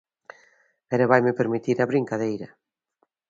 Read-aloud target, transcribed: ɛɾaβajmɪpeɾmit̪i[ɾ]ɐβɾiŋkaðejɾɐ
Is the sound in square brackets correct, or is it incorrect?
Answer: correct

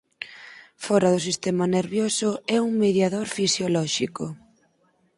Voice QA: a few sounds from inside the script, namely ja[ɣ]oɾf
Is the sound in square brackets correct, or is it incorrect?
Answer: incorrect: ð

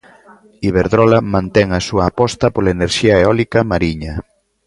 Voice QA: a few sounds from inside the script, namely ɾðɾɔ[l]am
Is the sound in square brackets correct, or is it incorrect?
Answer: correct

